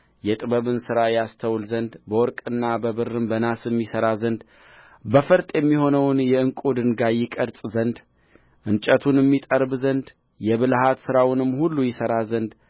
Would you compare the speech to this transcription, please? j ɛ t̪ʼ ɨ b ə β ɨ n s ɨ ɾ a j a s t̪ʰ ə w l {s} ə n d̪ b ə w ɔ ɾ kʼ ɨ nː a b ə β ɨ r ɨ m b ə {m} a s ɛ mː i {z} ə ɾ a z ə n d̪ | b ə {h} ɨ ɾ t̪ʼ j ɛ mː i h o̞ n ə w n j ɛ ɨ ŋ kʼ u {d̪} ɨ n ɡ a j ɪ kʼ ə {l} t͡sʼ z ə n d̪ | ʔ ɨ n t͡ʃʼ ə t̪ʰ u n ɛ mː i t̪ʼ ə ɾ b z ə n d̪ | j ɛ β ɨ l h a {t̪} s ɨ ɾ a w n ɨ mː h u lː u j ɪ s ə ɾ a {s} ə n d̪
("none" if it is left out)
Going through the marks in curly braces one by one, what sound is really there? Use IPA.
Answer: z, n, s, f, d̪, ɾ, t̪, z

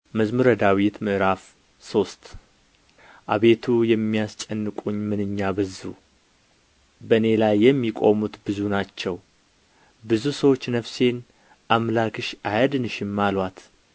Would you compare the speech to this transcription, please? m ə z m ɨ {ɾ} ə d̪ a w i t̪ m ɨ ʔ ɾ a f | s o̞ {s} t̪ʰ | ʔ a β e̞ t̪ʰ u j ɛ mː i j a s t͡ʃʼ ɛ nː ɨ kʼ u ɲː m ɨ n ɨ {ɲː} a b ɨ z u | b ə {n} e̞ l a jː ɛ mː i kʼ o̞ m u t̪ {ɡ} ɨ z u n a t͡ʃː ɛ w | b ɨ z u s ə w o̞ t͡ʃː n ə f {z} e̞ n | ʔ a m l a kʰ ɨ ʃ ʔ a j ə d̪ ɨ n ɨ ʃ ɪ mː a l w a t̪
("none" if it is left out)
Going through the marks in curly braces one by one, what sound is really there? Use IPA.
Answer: ɾ, s, ɲː, n, b, s

